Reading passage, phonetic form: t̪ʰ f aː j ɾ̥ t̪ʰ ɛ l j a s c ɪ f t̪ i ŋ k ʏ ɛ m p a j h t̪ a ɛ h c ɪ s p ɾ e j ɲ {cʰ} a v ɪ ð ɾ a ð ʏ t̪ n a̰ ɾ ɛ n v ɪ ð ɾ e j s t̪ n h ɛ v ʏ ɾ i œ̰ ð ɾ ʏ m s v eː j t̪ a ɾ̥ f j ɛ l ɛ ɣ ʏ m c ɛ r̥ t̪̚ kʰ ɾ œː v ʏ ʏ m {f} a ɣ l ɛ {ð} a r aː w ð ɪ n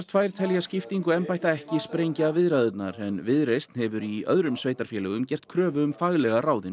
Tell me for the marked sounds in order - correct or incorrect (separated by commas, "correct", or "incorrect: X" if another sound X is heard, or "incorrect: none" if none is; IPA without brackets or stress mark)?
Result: incorrect: c, correct, incorrect: ɣ